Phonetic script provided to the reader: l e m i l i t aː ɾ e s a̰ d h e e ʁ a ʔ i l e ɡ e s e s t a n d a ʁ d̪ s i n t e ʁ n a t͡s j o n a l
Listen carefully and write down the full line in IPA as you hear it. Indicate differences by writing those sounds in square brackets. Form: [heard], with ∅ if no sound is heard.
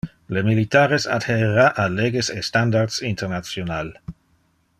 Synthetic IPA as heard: l e m i l i t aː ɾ e s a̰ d h e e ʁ a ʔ [a] l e ɡ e s e s t a n d a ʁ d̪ s i n t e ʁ n a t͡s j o n a l